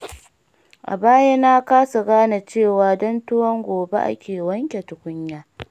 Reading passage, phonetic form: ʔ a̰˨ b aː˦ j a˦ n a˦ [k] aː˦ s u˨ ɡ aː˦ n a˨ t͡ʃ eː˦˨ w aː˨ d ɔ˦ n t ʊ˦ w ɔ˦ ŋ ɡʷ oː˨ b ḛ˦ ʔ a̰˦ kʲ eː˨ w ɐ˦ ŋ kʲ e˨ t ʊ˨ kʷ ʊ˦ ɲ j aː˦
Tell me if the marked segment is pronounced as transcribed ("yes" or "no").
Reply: yes